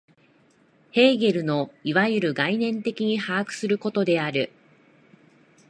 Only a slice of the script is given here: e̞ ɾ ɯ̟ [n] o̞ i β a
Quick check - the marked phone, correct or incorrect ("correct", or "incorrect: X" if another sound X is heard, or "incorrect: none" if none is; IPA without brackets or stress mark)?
correct